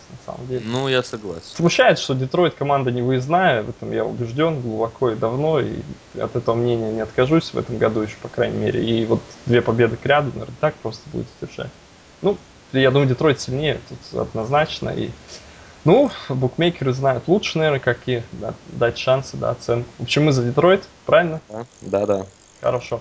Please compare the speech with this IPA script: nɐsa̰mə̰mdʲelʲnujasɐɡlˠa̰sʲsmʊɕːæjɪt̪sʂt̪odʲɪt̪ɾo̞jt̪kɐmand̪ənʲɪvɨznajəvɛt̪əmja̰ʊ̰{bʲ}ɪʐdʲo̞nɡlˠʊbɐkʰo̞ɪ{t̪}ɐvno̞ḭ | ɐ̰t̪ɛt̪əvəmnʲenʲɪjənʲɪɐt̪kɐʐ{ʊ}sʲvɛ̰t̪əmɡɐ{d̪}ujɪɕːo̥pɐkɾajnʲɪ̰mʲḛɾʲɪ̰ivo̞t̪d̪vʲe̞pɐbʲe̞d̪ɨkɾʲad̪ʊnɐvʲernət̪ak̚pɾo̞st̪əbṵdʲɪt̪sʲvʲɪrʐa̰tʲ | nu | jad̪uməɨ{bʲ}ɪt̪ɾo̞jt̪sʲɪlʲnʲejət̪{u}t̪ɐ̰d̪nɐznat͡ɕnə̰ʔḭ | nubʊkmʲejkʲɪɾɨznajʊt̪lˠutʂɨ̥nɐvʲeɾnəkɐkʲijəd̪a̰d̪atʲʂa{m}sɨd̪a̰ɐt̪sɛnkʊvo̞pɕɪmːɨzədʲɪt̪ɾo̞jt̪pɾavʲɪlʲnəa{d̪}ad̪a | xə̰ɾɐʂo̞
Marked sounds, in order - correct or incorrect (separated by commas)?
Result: correct, incorrect, incorrect, correct, incorrect, correct, incorrect, correct